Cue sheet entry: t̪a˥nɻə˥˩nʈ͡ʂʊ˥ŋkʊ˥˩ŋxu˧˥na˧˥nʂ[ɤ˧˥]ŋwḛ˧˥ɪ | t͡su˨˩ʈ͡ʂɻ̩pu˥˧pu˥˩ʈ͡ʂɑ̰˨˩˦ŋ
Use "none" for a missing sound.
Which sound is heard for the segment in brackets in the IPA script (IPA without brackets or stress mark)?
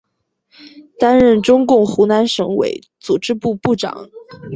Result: ɤ˧˥